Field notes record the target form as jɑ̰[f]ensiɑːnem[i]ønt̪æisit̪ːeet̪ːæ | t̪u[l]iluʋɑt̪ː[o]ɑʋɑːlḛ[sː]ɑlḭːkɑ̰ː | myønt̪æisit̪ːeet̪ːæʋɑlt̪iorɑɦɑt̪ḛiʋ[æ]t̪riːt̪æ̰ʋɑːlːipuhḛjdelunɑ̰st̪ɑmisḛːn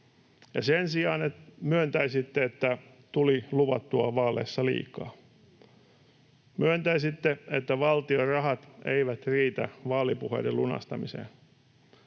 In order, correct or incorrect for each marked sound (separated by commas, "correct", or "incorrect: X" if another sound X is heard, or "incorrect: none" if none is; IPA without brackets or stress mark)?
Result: incorrect: s, incorrect: y, correct, incorrect: u, correct, correct